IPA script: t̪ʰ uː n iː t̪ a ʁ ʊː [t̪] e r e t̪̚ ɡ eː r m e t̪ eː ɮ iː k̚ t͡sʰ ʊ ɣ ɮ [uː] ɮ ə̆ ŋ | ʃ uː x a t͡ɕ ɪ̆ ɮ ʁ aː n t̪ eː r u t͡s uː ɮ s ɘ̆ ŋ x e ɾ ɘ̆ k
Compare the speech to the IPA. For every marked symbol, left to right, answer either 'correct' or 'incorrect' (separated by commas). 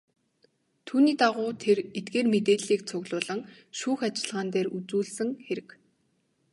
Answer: incorrect, incorrect